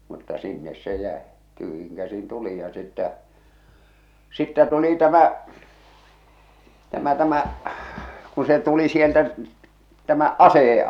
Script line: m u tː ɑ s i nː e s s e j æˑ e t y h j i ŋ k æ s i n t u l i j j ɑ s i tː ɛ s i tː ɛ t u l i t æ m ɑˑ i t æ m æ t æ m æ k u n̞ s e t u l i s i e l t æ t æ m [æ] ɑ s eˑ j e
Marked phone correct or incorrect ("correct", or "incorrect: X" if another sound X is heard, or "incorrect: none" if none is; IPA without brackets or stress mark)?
correct